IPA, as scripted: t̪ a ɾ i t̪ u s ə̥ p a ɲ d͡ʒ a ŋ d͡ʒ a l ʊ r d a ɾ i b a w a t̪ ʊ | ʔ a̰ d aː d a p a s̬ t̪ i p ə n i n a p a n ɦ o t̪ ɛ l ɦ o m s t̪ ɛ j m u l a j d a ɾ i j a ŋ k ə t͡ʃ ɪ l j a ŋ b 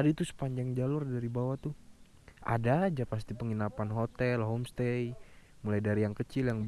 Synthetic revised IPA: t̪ a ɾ i t̪ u s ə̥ p a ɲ d͡ʒ a ŋ d͡ʒ a l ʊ r d a ɾ i b a w a t̪ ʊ | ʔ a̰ d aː d͡ʒ a p a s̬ t̪ i p ə ŋ i n a p a n ɦ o t̪ ɛ l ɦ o m s t̪ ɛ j m u l a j d a ɾ i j a ŋ k ə t͡ʃ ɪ l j a ŋ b